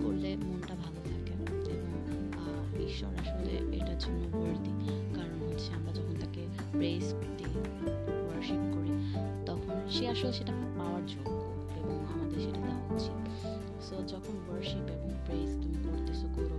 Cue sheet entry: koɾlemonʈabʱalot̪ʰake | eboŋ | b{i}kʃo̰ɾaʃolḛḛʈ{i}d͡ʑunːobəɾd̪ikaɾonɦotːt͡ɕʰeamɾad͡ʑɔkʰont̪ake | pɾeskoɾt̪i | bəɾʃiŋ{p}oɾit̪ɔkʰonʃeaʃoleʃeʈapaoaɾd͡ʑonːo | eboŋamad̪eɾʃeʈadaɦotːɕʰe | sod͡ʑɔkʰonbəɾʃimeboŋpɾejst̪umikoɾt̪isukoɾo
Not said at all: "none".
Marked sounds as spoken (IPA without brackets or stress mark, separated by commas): i, a, k